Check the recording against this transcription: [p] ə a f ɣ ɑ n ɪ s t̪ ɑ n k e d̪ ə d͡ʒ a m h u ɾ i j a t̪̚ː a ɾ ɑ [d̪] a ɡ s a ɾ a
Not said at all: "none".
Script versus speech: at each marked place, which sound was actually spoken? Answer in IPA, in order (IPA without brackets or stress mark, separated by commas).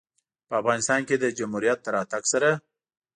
p, t̪